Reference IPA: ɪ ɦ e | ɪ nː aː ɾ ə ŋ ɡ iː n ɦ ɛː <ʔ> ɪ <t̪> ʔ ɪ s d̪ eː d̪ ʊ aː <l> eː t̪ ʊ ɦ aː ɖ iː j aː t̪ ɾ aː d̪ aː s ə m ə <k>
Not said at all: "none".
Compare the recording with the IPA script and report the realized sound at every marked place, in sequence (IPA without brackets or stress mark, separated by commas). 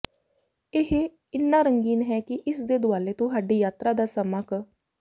k, none, l, k